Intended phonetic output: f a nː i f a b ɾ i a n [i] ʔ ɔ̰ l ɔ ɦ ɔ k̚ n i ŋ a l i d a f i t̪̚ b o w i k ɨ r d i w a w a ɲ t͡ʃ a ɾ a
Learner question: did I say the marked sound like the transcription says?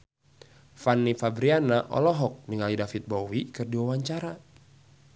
no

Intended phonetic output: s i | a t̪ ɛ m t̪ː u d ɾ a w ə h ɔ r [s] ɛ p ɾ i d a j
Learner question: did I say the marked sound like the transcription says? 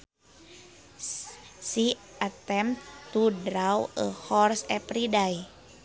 yes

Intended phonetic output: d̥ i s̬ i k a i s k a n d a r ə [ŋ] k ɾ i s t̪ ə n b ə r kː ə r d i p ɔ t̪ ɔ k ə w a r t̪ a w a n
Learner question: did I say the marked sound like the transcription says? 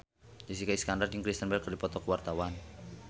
yes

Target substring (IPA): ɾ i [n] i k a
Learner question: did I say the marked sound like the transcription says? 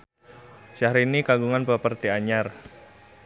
yes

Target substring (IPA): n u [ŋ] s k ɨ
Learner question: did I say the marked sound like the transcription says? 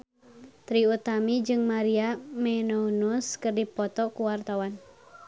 no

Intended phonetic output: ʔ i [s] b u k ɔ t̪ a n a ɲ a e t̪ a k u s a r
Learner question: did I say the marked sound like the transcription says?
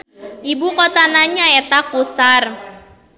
no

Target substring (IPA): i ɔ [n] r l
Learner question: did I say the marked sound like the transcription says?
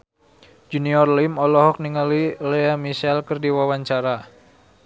no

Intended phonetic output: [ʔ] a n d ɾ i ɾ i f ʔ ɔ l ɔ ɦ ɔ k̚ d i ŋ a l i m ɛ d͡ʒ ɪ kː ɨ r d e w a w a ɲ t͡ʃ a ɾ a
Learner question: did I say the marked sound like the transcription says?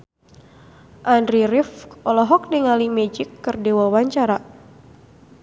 yes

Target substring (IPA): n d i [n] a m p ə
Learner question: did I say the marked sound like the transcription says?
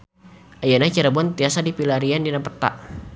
yes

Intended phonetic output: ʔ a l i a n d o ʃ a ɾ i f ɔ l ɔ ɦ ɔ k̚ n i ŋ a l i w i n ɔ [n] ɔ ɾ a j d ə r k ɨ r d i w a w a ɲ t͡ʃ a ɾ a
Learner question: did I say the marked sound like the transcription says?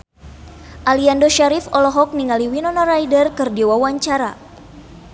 yes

